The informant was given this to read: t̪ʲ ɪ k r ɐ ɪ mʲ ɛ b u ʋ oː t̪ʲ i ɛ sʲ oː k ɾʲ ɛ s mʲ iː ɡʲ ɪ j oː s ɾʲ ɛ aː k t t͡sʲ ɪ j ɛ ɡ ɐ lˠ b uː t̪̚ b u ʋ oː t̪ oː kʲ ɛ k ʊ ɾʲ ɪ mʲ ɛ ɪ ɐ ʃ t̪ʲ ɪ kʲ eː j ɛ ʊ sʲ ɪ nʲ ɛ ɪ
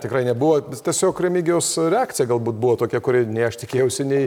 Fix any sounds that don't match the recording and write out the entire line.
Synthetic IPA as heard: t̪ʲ ɪ k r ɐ ɪ nʲ ɛ b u ʋ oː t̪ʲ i ɛ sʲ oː k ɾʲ ɛ mʲ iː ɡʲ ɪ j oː s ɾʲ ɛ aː k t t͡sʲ ɪ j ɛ ɡ ɐ lˠ b uː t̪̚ b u ʋ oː t̪ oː kʲ ɛ k ʊ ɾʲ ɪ nʲ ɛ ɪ ɐ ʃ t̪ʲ ɪ kʲ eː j ɛ ʊ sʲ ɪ nʲ ɛ ɪ